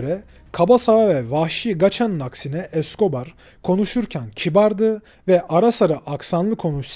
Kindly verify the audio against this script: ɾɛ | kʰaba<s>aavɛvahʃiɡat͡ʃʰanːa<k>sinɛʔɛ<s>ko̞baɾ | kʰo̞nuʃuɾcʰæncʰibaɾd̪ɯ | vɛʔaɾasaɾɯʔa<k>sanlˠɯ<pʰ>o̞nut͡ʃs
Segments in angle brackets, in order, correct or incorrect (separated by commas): correct, correct, correct, correct, incorrect